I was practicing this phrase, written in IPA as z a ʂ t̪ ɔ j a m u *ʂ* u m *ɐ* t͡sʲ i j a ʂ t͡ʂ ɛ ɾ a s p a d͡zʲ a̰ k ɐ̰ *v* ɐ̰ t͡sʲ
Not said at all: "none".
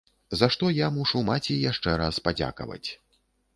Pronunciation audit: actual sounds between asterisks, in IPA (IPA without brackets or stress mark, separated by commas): ʂ, a, v